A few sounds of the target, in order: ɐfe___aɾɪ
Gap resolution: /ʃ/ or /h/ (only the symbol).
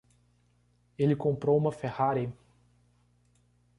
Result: h